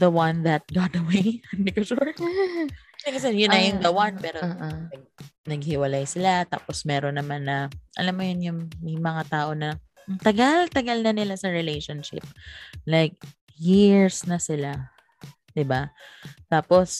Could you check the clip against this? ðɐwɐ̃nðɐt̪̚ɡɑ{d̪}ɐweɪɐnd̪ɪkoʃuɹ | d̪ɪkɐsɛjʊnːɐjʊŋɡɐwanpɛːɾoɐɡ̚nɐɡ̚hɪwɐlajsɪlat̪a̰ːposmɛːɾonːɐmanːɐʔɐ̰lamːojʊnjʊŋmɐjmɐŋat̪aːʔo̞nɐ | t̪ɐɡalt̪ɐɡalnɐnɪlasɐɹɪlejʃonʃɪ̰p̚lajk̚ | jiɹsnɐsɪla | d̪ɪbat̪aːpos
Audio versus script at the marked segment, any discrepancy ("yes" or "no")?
yes